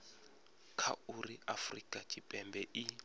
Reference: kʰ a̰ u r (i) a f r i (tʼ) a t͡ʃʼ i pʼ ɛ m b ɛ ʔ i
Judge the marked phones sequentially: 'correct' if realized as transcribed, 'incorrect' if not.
correct, incorrect: kʼ

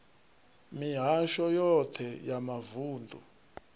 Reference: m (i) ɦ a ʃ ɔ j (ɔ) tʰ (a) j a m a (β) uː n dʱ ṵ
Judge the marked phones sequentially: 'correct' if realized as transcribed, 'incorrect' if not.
correct, correct, incorrect: ɛ, incorrect: v

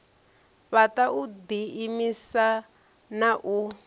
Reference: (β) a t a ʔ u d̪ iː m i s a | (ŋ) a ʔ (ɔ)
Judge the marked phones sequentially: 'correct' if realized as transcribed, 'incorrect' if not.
correct, incorrect: n, incorrect: u

